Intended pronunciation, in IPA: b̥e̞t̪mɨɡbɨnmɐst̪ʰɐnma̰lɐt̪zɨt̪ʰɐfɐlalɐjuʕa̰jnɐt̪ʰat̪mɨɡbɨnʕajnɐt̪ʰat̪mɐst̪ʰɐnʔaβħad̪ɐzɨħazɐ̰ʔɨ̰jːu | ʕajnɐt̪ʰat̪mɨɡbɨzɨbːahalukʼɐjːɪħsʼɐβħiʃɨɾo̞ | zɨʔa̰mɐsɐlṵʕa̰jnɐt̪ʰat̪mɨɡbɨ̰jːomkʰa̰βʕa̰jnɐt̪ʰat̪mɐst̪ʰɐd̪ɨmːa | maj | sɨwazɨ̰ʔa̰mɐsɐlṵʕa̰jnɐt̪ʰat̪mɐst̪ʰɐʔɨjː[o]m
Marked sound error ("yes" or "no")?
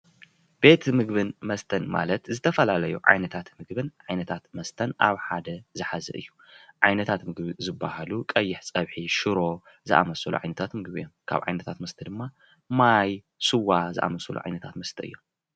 no